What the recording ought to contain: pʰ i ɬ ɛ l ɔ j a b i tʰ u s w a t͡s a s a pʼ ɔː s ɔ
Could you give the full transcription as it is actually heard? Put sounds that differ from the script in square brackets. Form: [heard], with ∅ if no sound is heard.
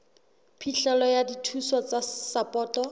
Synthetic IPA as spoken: pʰ i ɬ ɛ l ɔ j a [d] i tʰ u s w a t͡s a s a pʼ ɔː [t] ɔ